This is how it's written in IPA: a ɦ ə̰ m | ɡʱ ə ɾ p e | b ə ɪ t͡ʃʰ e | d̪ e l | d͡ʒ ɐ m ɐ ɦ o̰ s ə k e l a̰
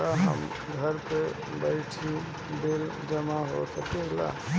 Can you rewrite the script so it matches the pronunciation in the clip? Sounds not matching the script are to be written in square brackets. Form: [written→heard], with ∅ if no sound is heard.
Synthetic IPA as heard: a ɦ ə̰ m | ɡʱ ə ɾ p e | b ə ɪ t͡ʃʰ [e→i] | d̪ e l | d͡ʒ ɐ m [ɐ→a] ɦ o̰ s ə k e l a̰